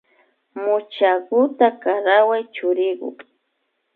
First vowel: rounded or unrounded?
rounded